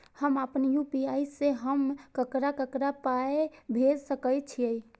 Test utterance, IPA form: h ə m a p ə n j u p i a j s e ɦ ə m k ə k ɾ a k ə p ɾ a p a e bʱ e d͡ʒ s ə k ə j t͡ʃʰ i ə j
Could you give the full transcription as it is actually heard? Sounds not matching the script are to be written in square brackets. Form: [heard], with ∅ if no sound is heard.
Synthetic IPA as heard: h ə m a p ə n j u p i a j s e ɦ ə m k ə k ɾ a k ə [k] ɾ a p a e bʱ e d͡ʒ s ə k ə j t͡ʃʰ i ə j